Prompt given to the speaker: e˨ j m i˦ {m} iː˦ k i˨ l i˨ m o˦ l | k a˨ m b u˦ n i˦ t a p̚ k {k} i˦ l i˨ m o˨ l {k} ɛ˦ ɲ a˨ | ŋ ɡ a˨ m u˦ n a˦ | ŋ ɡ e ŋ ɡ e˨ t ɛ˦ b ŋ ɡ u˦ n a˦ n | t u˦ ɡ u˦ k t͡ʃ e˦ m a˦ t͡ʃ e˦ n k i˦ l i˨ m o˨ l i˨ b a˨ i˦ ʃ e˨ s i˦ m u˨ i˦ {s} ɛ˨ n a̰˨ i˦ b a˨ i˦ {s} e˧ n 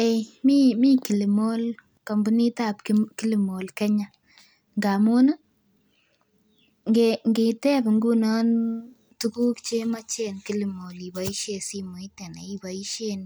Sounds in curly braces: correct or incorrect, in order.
correct, correct, correct, incorrect: t, incorrect: ʃ

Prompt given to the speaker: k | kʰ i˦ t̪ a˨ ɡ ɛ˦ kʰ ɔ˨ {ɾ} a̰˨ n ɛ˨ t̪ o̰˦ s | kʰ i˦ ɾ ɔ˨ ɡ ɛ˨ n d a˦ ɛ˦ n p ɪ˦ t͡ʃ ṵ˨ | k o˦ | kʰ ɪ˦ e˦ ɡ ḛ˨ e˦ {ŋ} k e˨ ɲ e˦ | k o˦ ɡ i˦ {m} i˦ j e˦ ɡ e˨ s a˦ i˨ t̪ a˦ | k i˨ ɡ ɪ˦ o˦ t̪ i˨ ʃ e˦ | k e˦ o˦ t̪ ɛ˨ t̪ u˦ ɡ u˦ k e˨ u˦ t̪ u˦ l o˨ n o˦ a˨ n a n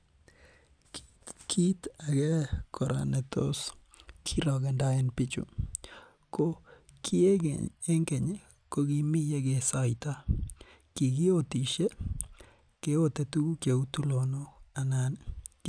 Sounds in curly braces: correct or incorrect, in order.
correct, correct, correct

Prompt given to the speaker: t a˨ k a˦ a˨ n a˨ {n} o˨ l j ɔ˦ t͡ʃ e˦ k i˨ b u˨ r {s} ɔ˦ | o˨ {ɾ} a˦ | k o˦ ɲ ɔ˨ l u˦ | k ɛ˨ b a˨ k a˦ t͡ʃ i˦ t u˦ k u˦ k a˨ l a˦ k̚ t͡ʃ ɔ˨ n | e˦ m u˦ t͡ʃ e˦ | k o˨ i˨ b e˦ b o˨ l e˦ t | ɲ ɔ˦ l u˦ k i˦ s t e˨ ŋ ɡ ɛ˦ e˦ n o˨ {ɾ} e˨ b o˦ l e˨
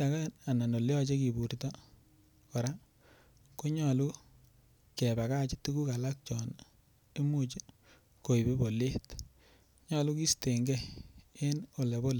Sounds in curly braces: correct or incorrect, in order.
correct, incorrect: t, correct, incorrect: l

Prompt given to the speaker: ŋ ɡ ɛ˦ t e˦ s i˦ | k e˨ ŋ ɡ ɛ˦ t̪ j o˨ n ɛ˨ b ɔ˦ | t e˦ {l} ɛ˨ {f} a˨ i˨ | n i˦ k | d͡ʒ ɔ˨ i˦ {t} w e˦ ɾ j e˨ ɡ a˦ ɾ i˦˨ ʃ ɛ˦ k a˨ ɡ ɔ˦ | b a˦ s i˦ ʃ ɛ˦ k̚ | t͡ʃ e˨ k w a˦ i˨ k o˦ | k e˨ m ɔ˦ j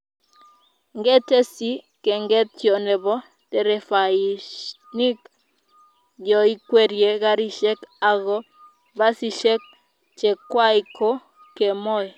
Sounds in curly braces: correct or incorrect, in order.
incorrect: ɾ, correct, incorrect: k

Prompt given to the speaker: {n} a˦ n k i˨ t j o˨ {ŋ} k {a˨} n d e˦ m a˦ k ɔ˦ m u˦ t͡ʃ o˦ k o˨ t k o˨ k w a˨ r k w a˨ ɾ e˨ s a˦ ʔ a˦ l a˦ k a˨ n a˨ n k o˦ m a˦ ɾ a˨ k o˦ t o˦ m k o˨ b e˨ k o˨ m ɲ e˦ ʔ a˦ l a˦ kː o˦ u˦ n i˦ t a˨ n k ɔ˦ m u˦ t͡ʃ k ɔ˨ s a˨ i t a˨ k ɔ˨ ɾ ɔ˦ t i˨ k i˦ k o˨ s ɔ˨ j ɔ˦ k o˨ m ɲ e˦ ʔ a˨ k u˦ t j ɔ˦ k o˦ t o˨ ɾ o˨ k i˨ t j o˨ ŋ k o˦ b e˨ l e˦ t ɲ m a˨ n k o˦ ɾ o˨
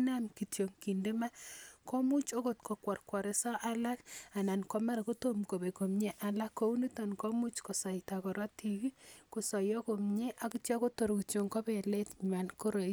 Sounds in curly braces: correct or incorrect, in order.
correct, correct, incorrect: i˨

